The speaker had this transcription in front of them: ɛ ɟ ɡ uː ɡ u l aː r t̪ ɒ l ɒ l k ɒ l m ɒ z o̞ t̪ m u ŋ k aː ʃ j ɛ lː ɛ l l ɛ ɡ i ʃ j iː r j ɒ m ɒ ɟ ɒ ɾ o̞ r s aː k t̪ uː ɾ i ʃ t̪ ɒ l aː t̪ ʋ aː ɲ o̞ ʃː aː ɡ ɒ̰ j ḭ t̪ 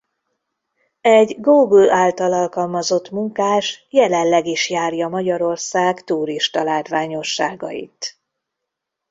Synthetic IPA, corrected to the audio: ɛ ɟ ɡ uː ɡ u l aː l t̪ ɒ l ɒ l k ɒ l m ɒ z o̞ t̪ m u ŋ k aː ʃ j ɛ l ɛ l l ɛ ɡ i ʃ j aː r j ɒ m ɒ ɟ ɒ ɾ o̞ r s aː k t̪ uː ɾ i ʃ t̪ ɒ l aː t̪ ʋ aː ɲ o̞ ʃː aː ɡ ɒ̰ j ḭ t̪